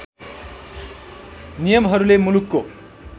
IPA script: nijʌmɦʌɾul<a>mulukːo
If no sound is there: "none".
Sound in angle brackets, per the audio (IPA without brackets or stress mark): e